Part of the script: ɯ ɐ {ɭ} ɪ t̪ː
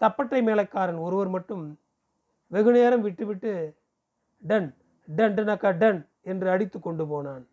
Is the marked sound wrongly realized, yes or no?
yes